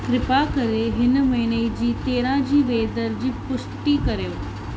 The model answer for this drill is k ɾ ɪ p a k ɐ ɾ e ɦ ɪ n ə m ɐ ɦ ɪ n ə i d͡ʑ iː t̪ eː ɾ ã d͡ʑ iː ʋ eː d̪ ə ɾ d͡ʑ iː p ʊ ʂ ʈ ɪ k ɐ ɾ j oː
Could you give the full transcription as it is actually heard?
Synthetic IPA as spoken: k ɾ ɪ p a k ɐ ɾ e ɦ ɪ n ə m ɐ ɦ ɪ n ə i d͡ʑ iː t̪ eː ɾ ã d͡ʑ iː ʋ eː d̪ ə ɾ d͡ʑ iː p ʊ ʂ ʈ i k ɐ ɾ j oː